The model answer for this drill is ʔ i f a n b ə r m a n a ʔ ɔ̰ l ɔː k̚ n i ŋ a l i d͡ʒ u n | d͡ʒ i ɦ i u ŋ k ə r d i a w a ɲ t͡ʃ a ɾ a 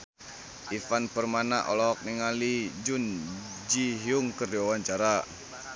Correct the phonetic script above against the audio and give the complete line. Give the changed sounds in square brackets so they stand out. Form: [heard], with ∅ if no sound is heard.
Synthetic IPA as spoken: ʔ i f a n [p] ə r m a n a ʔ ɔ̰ l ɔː k̚ n i ŋ a l i d͡ʒ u n | d͡ʒ i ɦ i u ŋ k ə r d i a w a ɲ t͡ʃ a ɾ a